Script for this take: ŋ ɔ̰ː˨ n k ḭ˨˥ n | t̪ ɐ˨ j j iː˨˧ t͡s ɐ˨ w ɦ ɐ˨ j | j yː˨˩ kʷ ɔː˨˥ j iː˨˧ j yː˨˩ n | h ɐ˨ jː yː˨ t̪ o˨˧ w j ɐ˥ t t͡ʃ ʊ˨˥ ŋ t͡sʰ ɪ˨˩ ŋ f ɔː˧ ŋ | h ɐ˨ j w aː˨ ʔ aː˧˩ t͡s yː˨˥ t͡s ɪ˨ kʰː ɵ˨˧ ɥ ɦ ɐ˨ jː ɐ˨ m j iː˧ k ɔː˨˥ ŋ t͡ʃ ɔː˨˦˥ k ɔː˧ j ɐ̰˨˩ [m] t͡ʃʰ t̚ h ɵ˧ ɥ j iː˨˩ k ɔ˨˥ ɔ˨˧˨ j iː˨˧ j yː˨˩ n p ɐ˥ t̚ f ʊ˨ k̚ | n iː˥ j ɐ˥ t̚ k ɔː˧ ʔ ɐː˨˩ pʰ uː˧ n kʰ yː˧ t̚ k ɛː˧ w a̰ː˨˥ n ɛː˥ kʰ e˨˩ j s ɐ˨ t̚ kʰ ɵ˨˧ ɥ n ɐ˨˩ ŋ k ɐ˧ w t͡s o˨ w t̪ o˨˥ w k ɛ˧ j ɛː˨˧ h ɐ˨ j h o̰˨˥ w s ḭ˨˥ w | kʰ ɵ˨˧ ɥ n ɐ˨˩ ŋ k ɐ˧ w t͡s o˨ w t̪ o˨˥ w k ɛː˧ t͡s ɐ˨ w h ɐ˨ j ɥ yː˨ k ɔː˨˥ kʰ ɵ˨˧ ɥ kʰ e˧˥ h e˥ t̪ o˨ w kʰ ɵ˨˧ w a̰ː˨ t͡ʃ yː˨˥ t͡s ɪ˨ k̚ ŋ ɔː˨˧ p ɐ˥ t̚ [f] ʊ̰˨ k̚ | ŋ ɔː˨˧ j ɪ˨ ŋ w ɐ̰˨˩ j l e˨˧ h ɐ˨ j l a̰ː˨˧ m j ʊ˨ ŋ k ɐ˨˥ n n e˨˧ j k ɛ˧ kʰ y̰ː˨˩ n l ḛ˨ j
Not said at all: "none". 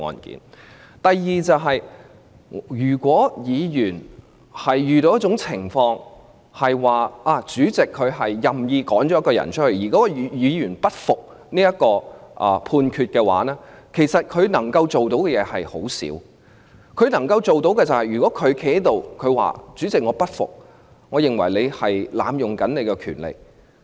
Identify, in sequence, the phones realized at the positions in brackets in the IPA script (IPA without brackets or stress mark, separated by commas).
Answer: n, f